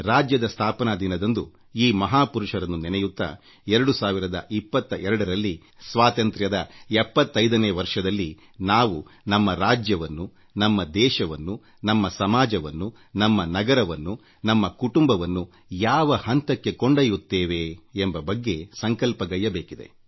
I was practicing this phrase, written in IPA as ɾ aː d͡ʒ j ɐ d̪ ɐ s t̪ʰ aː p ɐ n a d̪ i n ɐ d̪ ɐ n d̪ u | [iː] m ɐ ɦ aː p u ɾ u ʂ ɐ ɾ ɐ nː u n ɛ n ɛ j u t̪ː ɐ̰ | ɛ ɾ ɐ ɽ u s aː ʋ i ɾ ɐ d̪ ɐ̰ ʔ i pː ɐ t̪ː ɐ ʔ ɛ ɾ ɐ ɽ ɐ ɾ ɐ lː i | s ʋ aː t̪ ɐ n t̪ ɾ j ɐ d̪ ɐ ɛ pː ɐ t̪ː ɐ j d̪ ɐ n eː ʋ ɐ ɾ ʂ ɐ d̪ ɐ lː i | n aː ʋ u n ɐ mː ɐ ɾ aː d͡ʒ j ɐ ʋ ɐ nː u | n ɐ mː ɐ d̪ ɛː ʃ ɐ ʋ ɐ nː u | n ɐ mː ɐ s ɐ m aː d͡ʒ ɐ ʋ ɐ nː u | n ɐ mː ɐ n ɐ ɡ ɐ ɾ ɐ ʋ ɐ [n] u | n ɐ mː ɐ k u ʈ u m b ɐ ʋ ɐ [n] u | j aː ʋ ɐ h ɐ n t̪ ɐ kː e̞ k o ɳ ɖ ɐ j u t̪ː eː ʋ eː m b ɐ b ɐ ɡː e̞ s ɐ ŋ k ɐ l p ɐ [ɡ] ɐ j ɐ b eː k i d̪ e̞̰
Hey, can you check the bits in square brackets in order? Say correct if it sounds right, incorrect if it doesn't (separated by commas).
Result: correct, incorrect, incorrect, correct